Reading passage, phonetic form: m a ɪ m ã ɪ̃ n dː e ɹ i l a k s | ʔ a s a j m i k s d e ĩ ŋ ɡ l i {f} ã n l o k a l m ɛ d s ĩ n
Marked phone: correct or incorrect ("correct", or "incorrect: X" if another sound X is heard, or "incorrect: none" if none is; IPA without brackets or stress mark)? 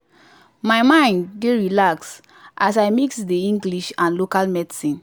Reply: incorrect: ʃ